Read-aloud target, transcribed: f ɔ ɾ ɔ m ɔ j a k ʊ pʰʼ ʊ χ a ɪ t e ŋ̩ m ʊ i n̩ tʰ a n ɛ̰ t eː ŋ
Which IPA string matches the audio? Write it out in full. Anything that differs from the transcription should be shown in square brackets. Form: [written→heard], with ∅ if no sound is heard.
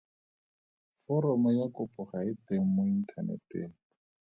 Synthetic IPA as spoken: f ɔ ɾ ɔ m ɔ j a k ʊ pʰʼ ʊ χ a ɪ t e ŋ̩ m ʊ i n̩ tʰ a n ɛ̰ t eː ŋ